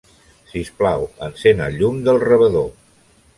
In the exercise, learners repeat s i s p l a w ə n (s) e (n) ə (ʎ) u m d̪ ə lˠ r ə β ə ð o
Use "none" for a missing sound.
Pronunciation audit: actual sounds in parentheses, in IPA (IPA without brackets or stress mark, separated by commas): s, n, ʎ